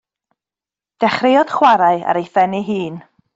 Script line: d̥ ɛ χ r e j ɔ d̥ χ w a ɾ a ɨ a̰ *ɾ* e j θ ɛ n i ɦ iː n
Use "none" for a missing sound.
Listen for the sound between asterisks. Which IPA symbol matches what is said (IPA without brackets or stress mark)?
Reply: ɾ